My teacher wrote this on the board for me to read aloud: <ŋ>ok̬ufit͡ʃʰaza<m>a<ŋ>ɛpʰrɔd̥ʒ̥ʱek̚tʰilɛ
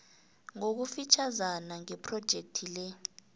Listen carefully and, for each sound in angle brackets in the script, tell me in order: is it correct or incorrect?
correct, incorrect, correct

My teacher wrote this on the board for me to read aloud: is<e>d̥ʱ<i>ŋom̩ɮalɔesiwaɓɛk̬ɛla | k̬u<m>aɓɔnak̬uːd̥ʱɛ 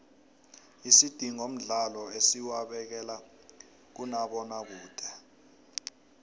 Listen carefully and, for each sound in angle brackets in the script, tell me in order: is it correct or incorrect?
incorrect, correct, incorrect

